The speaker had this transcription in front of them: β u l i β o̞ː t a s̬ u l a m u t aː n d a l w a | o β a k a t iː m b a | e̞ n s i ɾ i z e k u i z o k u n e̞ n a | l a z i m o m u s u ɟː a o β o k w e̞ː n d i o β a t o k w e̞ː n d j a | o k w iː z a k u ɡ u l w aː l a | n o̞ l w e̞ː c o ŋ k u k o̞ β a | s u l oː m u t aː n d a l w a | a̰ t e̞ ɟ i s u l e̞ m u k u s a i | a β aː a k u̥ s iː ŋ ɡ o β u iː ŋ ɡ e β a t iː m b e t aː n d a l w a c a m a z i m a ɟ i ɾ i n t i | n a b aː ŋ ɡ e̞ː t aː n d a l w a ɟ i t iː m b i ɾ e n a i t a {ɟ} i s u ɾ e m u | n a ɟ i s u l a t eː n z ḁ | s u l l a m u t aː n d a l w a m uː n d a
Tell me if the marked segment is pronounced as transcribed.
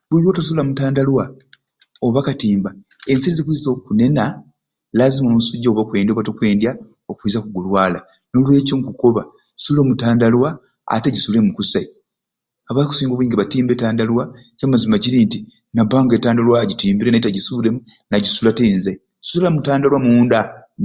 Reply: yes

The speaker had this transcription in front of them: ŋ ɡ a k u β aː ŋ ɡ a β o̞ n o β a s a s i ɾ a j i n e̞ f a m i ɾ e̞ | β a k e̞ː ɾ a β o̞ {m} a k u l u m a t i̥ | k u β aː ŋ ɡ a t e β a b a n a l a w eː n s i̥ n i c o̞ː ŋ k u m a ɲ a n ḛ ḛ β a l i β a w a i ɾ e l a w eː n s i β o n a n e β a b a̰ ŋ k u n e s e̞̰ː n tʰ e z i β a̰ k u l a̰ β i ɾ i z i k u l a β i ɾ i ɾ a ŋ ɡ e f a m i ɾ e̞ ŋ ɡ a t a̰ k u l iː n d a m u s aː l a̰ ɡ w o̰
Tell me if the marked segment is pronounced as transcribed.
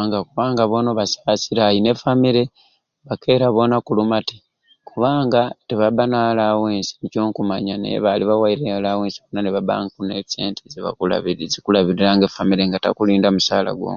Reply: no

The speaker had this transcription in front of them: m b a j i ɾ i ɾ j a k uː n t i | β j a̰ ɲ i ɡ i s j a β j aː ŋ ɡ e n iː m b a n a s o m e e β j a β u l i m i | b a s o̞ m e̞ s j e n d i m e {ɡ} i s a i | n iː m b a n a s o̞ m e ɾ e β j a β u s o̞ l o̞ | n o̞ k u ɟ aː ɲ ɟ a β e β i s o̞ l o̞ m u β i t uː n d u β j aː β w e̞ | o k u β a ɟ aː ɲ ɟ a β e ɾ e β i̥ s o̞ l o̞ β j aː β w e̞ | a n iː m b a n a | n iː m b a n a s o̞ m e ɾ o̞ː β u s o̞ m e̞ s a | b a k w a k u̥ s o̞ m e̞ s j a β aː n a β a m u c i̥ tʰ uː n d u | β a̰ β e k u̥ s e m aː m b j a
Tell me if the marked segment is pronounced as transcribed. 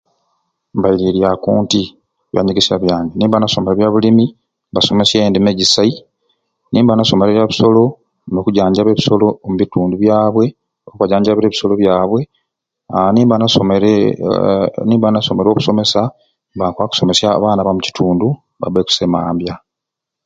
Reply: no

